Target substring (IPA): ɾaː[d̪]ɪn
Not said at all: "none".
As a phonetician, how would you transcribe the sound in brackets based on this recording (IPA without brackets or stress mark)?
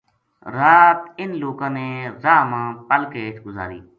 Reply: t̪